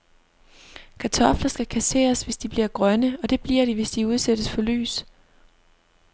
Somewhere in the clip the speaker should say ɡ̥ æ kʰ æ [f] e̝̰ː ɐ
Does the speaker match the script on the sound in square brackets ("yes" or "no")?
no